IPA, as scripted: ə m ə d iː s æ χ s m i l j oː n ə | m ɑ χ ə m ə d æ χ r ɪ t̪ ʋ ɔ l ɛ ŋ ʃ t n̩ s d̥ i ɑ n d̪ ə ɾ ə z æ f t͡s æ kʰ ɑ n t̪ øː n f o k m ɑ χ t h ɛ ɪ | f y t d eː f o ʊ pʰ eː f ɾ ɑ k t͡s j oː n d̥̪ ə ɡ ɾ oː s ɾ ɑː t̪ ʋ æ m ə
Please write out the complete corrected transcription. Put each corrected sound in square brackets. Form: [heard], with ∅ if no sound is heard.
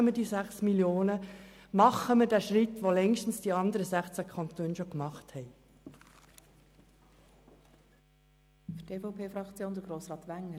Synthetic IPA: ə m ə d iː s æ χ s m i l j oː n ə | m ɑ χ ə m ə d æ [ʃ] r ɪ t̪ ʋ [o] l ɛ ŋ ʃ t n̩ s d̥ i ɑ n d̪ ə ɾ ə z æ [χ] t͡s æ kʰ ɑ n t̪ øː n [ʃ] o k m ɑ χ t h ɛ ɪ | f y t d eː f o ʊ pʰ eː f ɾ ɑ k t͡s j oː n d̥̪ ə ɡ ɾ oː s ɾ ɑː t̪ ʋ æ [ŋ] ə